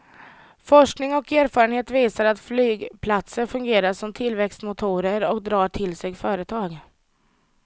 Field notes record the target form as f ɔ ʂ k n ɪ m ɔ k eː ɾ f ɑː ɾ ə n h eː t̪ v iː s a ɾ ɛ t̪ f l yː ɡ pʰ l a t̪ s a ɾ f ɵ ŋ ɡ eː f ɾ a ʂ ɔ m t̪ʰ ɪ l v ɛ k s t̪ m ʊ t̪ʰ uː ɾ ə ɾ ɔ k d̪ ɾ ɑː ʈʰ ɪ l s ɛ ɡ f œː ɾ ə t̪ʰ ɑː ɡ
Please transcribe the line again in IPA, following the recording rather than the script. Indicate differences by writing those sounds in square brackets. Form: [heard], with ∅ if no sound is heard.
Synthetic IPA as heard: f ɔ ʂ k n ɪ [ŋ] ɔ k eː ɾ f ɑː ɾ ə n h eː t̪ v iː s a ɾ [a] t̪ f l yː ɡ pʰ l a t̪ s [ə] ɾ f ɵ ŋ ɡ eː [∅] ɾ a ʂ ɔ m t̪ʰ ɪ l v ɛ k s t̪ m ʊ t̪ʰ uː ɾ ə ɾ ɔ k d̪ ɾ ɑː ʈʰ ɪ l s ɛ ɡ f œː ɾ ə t̪ʰ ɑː ɡ